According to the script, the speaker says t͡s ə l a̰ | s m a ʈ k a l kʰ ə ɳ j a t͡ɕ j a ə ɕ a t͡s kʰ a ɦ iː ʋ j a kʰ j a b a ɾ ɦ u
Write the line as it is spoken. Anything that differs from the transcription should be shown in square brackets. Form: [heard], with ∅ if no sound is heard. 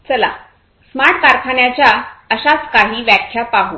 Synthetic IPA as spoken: t͡s ə l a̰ | s m a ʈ k a [ɾ] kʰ [a] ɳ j a t͡ɕ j a ə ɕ a t͡s [k] a ɦ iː ʋ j a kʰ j a [p] a [∅] ɦ u